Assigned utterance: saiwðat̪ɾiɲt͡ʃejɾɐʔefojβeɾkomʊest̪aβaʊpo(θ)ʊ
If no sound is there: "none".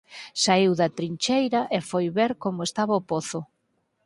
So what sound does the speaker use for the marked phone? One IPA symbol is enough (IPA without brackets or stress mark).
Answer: θ